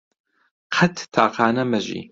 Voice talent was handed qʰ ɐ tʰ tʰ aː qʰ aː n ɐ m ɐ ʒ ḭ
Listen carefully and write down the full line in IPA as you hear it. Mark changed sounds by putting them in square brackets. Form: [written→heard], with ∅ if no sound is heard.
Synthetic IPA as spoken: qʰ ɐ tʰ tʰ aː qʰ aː n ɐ m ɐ ʒ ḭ